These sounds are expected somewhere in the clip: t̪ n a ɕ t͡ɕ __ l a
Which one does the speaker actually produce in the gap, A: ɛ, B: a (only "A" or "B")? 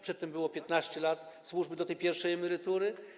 A